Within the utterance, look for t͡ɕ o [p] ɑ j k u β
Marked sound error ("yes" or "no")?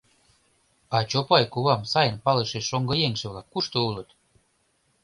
no